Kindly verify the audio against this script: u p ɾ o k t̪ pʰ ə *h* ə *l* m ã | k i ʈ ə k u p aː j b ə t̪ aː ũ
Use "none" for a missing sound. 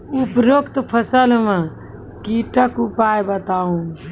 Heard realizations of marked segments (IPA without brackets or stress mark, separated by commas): s, l